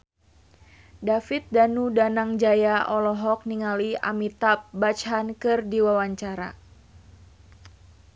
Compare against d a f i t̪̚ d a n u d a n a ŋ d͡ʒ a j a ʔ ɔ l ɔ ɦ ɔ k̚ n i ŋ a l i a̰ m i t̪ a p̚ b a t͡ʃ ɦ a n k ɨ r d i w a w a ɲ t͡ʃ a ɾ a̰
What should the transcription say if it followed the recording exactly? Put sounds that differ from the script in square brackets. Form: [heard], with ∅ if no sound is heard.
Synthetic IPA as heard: d a f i t̪̚ d a n u d a n a ŋ d͡ʒ a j a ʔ ɔ l ɔ ɦ ɔ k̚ n i ŋ a l i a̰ m i t̪ a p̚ b a t͡ʃ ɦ a n k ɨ r d i w a w a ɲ t͡ʃ a ɾ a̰